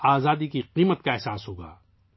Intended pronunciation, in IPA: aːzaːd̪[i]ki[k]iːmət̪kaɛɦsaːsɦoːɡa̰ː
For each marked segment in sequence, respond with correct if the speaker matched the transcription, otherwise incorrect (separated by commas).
correct, incorrect